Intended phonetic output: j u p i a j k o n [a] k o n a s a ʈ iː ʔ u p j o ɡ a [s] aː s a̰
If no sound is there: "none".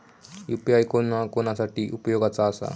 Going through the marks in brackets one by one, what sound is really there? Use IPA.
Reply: a, t͡s

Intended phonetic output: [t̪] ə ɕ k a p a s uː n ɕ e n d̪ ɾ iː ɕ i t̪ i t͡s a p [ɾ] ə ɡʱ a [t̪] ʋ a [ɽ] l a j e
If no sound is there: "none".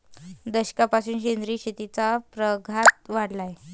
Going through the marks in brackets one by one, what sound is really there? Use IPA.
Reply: d̪, ɾ, t̪, ɽ

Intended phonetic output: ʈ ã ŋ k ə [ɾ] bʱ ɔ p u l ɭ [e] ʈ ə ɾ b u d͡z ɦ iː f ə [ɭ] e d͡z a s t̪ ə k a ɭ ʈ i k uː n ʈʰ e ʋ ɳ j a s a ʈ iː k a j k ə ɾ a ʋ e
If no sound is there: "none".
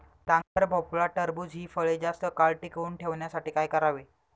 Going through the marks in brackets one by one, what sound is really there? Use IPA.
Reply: ɾ, a, ɭ

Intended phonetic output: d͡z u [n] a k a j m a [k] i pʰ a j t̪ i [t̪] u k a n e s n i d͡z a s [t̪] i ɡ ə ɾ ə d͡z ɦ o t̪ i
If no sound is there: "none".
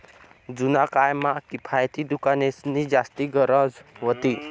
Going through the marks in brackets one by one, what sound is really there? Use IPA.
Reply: n, k, d̪, t̪

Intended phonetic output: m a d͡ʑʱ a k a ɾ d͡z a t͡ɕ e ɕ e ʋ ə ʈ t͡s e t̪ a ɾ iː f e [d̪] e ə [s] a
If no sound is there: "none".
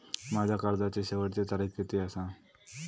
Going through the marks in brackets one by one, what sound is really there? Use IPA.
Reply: t̪, s

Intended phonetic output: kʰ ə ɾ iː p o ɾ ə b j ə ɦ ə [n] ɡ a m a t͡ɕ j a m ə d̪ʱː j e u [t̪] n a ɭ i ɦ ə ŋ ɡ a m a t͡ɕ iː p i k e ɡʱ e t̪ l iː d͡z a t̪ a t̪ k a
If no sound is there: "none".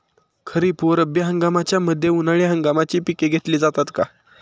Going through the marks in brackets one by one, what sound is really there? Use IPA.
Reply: ŋ, none

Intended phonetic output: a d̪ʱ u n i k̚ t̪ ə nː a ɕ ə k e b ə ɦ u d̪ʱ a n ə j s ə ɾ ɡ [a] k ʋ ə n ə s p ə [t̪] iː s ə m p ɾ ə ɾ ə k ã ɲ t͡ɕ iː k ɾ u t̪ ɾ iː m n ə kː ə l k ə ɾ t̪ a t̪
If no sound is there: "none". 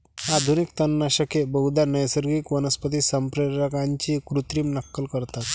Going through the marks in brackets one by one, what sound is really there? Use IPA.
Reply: i, t̪

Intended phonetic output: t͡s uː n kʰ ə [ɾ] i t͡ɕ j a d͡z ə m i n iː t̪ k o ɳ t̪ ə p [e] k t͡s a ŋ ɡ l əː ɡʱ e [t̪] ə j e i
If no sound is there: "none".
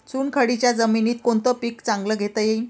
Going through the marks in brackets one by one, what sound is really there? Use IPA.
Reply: ɽ, i, t̪

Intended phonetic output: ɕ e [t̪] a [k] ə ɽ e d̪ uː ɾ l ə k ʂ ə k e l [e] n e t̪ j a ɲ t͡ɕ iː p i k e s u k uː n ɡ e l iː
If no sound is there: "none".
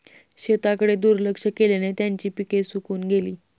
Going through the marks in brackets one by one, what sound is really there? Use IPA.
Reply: t̪, k, e

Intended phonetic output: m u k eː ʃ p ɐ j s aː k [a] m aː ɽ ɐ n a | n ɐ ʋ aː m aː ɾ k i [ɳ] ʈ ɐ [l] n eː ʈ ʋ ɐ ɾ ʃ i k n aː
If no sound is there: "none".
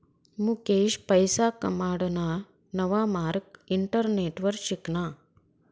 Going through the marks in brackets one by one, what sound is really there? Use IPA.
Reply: ɐ, ɳ, ɾ

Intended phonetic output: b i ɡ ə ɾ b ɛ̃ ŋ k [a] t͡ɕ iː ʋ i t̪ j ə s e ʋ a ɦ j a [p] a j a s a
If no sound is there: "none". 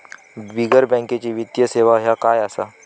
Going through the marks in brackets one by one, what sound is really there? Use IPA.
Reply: e, k

